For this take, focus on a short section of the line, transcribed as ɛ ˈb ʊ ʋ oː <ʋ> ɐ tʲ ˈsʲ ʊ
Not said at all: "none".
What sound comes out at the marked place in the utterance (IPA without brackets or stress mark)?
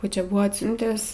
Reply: none